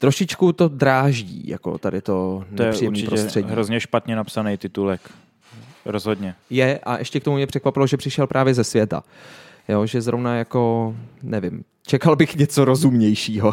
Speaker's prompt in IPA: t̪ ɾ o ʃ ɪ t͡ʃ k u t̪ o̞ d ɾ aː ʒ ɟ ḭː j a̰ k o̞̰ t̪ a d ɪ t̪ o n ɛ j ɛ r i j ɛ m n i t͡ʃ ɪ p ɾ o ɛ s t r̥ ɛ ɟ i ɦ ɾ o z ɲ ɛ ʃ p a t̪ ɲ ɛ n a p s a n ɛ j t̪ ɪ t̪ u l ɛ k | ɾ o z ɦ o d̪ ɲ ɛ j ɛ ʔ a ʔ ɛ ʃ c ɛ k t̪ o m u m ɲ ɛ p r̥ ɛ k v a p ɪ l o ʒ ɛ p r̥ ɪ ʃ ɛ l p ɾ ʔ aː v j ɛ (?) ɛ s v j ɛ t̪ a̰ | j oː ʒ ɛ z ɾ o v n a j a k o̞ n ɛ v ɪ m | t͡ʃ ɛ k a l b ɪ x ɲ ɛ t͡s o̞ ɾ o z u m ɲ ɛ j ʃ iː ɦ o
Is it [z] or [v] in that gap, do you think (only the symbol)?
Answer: z